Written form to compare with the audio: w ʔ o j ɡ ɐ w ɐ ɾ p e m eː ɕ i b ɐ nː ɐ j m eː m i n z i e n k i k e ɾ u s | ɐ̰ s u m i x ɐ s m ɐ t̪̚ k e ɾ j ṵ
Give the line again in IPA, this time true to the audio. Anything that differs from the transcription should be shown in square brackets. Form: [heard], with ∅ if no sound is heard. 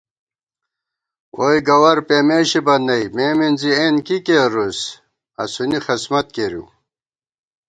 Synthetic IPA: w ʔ o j ɡ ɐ w ɐ ɾ p e m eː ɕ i b ɐ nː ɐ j m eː m i n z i e n k i k e ɾ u s | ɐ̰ s u [n] i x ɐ s m ɐ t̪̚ k e ɾ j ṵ

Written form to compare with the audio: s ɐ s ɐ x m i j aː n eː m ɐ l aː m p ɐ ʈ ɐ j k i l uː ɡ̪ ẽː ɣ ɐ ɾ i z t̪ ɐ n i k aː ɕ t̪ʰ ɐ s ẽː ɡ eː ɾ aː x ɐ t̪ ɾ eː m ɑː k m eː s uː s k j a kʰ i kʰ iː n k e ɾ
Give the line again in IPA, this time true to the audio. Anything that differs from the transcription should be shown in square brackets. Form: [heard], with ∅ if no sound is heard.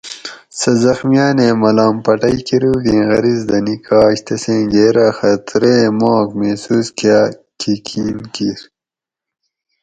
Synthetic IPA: s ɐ [z] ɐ x m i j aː n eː m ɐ l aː m p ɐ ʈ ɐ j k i [ɾ] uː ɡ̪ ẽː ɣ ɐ ɾ i z [d̪] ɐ n i k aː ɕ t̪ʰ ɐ s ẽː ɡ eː ɾ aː x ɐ t̪ ɾ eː m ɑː k m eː s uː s k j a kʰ i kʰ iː n k [i] ɾ

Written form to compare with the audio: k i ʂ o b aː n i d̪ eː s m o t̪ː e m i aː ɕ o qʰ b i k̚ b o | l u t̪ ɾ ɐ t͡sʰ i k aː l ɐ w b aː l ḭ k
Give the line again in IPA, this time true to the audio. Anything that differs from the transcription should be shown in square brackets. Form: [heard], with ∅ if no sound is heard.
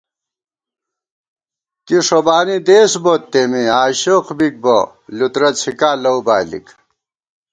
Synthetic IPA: k i ʂ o b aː n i d̪ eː s [b] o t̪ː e m i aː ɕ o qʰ b i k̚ b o | l u t̪ ɾ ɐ t͡sʰ i k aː l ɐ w b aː l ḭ k

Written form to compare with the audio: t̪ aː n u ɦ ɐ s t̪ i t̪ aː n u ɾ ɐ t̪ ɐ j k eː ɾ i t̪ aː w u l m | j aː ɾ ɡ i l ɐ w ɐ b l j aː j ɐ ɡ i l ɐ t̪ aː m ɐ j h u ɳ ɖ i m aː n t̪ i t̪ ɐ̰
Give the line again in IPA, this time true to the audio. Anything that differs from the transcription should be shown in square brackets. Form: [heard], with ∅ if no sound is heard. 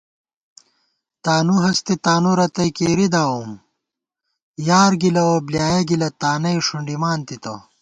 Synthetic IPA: t̪ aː n u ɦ ɐ s t̪ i t̪ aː n u ɾ ɐ t̪ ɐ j k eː ɾ i [d̪] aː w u [∅] m | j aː ɾ ɡ i l ɐ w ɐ b l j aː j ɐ ɡ i l ɐ t̪ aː [n] ɐ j [ʂ] u ɳ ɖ i m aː n t̪ i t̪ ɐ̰

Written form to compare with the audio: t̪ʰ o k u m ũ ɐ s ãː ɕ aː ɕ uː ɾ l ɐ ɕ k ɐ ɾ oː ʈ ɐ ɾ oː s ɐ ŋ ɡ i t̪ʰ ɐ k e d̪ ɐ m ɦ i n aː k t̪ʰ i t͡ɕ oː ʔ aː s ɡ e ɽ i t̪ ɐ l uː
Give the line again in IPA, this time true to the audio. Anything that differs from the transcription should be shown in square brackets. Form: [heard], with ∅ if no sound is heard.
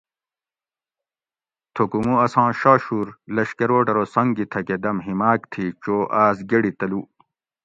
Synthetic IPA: t̪ʰ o k u m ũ ɐ s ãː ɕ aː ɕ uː ɾ l ɐ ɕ k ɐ ɾ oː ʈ ɐ ɾ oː s ɐ ŋ ɡ i t̪ʰ ɐ k e d̪ ɐ m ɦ i [m] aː k t̪ʰ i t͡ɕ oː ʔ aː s ɡ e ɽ i t̪ ɐ l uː

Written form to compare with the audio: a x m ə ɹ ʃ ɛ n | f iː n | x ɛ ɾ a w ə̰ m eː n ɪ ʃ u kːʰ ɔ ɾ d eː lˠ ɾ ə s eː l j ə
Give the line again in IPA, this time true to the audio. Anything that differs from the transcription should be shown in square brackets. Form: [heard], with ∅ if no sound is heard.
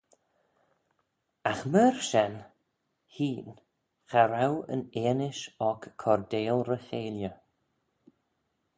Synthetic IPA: a x m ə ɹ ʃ ɛ n | [h] iː n | x [a] ɾ a w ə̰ [n] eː n ɪ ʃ [ɔ] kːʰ ɔ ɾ d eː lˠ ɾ ə [x] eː l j ə

